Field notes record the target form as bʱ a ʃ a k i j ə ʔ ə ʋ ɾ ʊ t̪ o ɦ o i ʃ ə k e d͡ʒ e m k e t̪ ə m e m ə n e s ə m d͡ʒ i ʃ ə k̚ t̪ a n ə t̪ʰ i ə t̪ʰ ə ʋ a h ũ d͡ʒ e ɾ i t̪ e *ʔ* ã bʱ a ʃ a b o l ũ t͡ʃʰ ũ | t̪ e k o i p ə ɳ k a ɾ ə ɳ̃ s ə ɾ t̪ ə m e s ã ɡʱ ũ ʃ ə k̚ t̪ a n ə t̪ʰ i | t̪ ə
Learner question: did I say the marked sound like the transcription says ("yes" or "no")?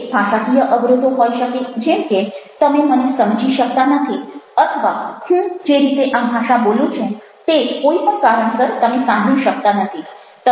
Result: yes